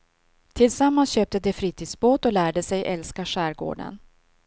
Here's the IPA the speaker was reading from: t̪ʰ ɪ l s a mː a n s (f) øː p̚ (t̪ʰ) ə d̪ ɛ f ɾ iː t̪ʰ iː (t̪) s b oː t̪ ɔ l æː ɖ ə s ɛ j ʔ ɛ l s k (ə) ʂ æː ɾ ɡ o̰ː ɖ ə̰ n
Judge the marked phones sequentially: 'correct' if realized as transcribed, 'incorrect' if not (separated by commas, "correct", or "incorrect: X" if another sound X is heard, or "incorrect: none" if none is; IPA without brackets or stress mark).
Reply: incorrect: ɕ, incorrect: t̪, incorrect: d̪, incorrect: a